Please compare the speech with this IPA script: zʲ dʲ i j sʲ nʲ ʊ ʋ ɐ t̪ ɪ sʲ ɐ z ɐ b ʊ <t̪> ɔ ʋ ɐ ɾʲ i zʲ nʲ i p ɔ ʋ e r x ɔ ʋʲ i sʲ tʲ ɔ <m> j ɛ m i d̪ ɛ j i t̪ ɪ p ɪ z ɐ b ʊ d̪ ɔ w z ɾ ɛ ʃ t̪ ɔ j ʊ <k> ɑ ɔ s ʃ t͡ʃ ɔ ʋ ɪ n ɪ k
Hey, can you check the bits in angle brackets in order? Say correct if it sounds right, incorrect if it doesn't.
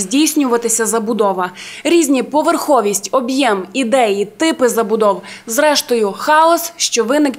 incorrect: d̪, incorrect: b, incorrect: x

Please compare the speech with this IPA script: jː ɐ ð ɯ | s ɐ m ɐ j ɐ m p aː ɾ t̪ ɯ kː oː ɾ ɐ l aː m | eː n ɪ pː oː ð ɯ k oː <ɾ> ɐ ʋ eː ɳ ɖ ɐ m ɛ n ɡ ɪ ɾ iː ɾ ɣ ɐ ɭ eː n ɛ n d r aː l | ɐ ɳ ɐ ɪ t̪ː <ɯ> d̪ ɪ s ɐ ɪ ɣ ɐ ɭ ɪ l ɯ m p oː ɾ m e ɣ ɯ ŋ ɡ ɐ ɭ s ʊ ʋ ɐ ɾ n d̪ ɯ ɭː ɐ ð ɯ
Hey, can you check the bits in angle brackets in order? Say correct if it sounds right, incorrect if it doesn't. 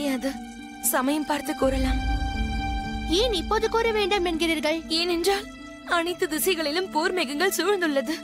correct, correct

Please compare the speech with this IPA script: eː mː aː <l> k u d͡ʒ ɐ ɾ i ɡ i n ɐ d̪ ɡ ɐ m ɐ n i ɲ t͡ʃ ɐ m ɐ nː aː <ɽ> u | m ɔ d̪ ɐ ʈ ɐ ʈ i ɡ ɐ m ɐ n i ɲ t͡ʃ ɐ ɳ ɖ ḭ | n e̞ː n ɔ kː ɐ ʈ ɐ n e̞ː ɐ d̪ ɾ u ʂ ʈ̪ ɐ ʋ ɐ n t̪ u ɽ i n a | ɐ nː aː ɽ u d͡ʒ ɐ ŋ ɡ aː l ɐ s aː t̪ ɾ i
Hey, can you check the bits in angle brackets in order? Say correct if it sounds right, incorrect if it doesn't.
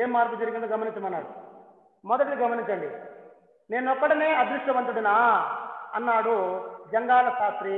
incorrect: ɾ, correct

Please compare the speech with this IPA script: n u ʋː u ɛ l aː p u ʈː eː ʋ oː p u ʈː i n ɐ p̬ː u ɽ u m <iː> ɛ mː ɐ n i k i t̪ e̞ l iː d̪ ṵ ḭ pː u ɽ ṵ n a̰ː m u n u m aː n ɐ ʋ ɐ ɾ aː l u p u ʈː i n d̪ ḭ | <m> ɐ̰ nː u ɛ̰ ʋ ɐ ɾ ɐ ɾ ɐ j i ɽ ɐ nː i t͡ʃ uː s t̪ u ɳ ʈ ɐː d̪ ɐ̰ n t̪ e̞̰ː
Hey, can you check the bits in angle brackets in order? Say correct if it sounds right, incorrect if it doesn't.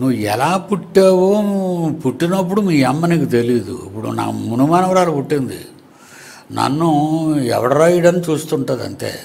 correct, incorrect: n

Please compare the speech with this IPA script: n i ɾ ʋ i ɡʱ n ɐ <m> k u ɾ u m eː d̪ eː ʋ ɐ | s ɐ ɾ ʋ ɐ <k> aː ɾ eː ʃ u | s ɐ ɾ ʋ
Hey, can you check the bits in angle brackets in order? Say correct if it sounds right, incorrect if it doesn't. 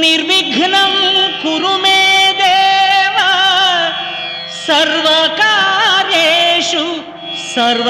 correct, correct

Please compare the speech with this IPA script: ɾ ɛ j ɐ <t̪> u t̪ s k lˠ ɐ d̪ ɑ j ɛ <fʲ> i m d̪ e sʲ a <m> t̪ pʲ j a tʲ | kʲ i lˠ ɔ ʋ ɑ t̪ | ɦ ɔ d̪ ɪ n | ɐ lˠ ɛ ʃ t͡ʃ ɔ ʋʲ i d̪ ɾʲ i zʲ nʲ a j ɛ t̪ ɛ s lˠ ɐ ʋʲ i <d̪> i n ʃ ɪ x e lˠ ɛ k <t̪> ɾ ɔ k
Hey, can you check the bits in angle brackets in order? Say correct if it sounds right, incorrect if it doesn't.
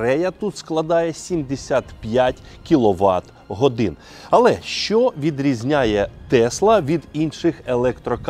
correct, incorrect: sʲ, incorrect: none, correct, correct

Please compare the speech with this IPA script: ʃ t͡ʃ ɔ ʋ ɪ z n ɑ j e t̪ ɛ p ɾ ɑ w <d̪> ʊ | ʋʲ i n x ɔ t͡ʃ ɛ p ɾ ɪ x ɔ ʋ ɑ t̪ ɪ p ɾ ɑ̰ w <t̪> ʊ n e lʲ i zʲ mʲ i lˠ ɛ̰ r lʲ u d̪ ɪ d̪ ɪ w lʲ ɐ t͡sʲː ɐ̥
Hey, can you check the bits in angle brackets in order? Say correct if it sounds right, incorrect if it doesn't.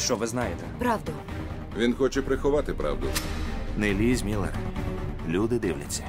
correct, incorrect: d̪

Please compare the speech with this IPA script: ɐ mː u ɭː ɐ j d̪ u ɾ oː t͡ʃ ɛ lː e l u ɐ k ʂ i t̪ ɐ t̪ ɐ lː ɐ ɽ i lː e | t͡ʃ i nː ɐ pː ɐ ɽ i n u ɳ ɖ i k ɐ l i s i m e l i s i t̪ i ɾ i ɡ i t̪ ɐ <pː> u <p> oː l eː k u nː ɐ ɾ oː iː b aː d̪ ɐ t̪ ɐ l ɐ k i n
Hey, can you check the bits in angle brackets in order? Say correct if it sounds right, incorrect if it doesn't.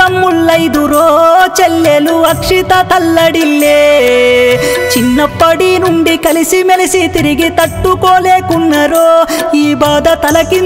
incorrect: ʈː, incorrect: k

